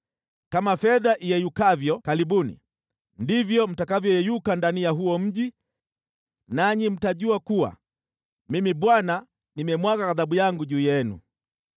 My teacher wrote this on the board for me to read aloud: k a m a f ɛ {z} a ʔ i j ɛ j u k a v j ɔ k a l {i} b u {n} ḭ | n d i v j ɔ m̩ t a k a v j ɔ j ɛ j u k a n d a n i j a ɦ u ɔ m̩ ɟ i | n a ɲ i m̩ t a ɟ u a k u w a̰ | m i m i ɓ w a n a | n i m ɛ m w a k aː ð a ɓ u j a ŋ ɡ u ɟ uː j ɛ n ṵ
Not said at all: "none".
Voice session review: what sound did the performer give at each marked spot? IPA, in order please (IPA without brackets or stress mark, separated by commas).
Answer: ð, i, n